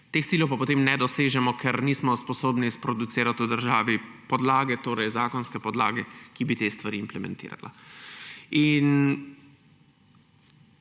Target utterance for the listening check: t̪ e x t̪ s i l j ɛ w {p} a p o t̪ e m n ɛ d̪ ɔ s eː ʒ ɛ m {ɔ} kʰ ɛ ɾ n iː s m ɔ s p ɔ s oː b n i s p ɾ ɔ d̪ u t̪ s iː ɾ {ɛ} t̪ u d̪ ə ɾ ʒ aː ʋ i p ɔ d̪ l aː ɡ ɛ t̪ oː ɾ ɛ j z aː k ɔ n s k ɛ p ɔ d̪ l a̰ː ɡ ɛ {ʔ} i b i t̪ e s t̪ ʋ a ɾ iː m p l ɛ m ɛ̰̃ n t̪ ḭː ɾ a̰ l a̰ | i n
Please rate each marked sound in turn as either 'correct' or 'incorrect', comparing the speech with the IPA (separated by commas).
correct, correct, incorrect, incorrect